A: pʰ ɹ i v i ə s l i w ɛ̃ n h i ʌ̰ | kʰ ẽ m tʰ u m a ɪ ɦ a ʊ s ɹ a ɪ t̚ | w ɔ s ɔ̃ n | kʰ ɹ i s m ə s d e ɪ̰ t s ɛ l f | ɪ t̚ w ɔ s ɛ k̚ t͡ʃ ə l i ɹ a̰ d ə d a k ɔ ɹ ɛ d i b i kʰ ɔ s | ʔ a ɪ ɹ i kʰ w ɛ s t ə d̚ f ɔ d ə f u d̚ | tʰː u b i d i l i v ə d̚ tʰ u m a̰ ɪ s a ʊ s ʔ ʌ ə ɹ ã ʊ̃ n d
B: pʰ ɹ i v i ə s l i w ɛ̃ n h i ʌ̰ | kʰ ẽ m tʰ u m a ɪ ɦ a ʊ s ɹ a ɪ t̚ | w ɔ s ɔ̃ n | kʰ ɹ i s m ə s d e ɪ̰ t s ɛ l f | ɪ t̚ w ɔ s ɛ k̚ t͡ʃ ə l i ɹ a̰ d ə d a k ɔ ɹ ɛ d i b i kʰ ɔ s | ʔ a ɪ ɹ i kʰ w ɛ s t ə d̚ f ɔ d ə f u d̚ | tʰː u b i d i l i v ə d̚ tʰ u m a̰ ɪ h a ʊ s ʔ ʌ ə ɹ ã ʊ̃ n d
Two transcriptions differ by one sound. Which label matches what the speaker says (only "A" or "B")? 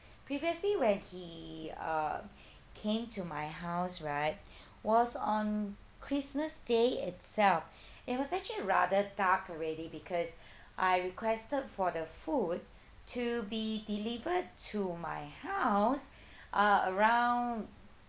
B